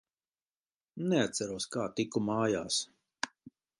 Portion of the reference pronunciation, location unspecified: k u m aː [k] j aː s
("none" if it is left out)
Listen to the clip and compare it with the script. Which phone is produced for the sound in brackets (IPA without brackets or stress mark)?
none